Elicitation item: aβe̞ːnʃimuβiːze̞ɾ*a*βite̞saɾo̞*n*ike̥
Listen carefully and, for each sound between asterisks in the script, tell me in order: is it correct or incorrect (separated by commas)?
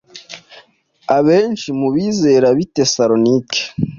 correct, correct